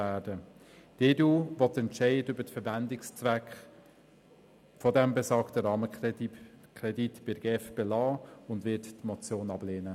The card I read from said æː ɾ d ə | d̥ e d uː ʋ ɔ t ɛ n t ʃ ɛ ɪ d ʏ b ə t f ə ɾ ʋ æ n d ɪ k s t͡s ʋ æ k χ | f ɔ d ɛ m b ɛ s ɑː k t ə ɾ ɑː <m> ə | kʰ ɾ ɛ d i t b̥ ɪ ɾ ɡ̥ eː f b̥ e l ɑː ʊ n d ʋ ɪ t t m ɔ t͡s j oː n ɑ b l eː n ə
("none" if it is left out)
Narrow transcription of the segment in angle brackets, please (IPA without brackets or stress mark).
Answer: m